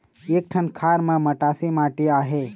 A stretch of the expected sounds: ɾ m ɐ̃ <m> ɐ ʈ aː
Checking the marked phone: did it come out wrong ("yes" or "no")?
no